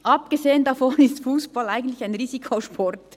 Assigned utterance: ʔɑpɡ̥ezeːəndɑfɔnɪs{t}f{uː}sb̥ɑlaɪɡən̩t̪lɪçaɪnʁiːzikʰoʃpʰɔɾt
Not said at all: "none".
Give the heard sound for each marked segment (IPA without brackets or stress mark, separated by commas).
t, uː